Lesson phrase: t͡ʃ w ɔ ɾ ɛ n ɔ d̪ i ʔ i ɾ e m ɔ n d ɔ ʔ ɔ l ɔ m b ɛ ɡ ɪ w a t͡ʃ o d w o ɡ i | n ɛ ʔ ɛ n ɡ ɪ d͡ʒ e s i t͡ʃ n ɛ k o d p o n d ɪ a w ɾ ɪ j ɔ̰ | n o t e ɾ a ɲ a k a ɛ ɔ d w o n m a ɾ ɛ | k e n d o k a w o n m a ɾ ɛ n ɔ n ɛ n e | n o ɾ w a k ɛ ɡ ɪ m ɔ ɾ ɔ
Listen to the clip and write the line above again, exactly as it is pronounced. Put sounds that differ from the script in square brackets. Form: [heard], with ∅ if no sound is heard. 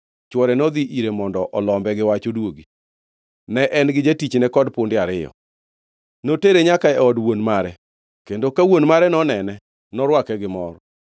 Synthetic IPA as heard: t͡ʃ w ɔ ɾ ɛ n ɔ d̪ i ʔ i ɾ e m ɔ n d ɔ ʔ ɔ l ɔ m b ɛ ɡ ɪ w a t͡ʃ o d w o ɡ i | n ɛ ʔ ɛ n ɡ ɪ d͡ʒ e [t] i t͡ʃ n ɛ k [ɔ] d p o n d ɪ a [∅] ɾ ɪ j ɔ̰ | n o t e ɾ [e] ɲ a k a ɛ ɔ d w o n m a ɾ ɛ | k e n d o k a w o n m a ɾ ɛ n ɔ n ɛ n [ɛ] | n [ɔ] ɾ w a k ɛ ɡ ɪ m ɔ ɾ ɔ